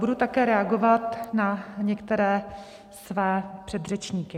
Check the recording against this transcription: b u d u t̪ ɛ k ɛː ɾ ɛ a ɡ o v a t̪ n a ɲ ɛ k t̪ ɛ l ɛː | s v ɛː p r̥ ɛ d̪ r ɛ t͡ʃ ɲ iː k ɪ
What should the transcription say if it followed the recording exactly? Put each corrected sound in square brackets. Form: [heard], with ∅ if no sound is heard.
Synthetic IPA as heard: b u d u t̪ [a] k ɛː ɾ ɛ a ɡ o v a t̪ n a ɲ ɛ k t̪ ɛ [ɾ] ɛː | s v ɛː p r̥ ɛ d̪ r ɛ t͡ʃ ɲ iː k ɪ